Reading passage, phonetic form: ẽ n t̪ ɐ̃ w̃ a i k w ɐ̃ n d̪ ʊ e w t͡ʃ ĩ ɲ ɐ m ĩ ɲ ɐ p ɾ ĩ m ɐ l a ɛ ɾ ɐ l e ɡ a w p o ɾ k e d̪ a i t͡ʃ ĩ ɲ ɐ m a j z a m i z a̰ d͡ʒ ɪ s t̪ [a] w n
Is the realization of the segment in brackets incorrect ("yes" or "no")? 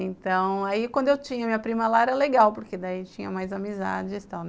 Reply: no